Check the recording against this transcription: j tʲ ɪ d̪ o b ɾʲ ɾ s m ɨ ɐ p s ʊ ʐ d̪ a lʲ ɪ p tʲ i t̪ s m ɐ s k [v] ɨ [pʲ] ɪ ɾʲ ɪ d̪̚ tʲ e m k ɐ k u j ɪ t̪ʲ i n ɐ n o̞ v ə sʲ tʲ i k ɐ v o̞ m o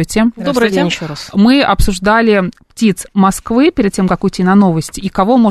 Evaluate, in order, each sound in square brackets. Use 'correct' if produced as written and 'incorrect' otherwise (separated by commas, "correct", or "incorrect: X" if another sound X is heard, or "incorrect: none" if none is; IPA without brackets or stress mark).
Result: correct, correct